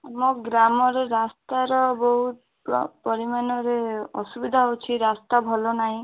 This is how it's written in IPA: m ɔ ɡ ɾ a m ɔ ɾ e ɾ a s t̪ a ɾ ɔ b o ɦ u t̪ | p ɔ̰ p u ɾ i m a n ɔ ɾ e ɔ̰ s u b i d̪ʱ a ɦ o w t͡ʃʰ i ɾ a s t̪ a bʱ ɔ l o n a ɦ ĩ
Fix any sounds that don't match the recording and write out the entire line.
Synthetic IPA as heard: m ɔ ɡ ɾ a m ɔ ɾ e ɾ a s t̪ a ɾ ɔ b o ɦ u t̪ | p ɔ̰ p ɔ ɾ i m a n ɔ ɾ e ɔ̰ s u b i d̪ʱ a ɦ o w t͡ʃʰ i ɾ a s t̪ a bʱ ɔ l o n a ɦ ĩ